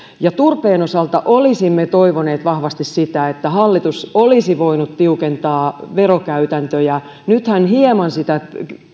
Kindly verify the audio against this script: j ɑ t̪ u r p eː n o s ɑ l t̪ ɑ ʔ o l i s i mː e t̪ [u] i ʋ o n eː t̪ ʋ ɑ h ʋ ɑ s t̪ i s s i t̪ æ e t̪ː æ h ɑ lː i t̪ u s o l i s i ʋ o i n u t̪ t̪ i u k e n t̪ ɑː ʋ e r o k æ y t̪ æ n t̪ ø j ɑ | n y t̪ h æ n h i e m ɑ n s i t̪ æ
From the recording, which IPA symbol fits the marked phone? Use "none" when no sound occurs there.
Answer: o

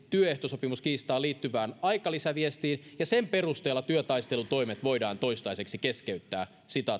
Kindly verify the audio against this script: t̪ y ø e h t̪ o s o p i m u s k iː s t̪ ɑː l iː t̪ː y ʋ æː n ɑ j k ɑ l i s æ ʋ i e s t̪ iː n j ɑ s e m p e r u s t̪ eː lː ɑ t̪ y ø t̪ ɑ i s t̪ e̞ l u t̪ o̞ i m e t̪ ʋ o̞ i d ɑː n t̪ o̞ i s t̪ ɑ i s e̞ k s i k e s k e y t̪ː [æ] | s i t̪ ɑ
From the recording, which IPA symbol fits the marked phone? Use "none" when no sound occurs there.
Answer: æː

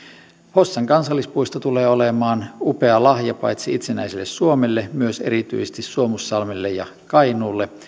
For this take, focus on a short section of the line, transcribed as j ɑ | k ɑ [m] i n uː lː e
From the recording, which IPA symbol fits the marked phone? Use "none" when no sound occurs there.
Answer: none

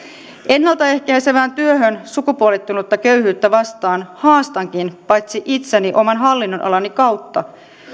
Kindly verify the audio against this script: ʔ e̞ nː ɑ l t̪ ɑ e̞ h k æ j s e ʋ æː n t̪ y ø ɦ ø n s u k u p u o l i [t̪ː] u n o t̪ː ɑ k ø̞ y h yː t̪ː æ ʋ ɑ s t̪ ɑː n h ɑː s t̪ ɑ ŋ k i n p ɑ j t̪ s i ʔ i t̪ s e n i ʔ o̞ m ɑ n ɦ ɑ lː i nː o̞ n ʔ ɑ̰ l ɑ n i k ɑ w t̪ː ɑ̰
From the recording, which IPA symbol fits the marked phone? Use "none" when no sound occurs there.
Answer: t̪ː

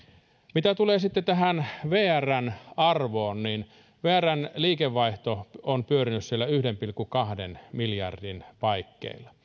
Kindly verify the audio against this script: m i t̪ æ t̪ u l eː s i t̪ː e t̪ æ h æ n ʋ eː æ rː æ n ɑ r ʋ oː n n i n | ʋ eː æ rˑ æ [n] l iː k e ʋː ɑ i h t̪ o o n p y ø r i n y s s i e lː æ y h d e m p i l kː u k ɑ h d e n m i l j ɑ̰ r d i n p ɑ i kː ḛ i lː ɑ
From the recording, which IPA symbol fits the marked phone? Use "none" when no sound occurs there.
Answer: n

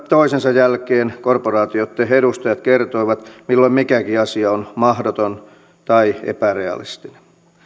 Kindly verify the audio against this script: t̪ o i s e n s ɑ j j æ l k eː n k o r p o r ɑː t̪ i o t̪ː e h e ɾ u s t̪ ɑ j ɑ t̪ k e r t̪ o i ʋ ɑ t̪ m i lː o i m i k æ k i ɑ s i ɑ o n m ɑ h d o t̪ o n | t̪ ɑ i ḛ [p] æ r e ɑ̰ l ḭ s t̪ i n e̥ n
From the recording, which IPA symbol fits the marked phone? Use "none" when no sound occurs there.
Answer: p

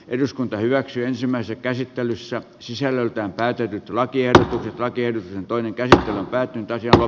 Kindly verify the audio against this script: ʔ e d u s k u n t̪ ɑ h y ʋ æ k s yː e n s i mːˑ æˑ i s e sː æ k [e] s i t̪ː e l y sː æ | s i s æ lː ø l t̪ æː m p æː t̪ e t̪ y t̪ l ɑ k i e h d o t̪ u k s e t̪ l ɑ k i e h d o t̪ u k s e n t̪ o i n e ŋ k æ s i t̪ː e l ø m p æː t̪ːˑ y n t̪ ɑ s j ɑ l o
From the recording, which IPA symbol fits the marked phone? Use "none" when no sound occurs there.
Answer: æ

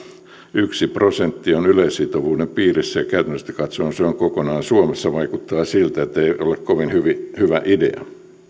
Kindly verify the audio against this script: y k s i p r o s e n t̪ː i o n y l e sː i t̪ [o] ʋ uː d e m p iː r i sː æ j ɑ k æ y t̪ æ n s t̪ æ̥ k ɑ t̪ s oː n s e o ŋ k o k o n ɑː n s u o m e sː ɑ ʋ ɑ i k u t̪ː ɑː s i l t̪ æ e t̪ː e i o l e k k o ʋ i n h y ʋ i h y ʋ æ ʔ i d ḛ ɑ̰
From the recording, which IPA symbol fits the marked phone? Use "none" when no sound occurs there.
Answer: o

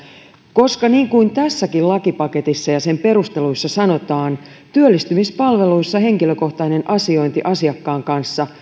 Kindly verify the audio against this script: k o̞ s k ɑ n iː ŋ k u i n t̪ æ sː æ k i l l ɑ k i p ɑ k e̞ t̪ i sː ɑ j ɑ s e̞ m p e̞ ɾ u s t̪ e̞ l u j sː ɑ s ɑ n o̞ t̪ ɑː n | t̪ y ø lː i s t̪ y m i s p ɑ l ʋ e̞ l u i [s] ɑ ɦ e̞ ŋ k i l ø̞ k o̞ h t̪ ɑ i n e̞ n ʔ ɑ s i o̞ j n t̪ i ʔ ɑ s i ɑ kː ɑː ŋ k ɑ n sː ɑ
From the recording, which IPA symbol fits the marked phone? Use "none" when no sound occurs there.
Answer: sː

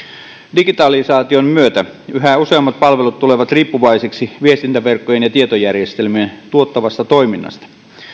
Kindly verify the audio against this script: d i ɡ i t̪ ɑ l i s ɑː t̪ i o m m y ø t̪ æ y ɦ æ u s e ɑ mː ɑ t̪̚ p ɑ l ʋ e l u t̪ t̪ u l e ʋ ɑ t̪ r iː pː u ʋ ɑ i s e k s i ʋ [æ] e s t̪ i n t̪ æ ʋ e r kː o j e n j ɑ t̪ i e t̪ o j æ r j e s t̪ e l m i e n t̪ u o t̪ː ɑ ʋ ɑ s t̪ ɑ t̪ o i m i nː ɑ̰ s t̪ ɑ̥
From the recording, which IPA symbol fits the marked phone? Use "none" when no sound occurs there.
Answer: i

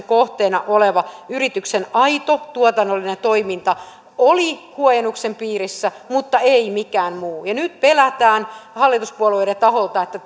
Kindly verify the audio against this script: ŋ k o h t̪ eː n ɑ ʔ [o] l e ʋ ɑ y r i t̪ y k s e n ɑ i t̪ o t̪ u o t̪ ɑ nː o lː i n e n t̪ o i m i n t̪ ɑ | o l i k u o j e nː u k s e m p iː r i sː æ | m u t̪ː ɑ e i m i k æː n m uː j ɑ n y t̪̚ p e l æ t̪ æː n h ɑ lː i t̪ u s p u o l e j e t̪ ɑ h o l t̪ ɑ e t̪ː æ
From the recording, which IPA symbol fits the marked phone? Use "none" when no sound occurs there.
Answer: o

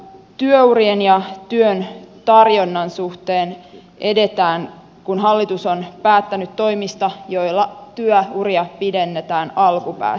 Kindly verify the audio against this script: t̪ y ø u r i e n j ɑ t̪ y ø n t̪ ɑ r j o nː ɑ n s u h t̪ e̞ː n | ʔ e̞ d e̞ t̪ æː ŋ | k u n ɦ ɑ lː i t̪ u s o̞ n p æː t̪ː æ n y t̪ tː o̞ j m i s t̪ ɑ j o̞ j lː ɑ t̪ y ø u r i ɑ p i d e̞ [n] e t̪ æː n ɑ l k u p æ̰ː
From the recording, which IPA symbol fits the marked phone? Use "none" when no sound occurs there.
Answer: nː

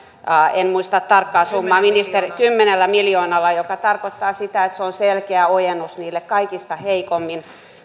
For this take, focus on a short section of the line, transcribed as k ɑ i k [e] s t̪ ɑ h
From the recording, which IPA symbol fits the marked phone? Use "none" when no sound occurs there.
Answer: i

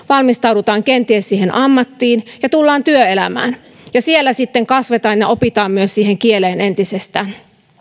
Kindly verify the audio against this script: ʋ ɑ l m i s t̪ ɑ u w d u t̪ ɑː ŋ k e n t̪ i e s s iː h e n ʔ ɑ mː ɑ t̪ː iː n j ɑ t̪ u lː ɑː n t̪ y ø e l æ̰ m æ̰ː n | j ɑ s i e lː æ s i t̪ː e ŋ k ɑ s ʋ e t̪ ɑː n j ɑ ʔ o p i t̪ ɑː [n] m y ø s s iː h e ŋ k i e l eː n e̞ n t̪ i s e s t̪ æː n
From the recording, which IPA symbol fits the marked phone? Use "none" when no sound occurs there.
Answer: m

